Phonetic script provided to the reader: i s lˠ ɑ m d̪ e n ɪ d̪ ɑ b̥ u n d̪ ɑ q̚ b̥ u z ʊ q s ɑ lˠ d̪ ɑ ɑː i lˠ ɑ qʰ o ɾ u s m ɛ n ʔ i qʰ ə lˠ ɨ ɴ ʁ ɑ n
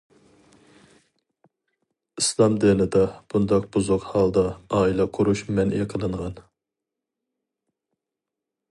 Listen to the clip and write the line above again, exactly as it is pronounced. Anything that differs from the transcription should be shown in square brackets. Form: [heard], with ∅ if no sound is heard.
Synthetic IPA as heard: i s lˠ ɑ m d̪ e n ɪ d̪ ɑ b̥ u n d̪ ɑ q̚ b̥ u z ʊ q [h] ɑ lˠ d̪ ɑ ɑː i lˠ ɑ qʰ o ɾ u [ʃ] m ɛ n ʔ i qʰ ə lˠ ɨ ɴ ʁ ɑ n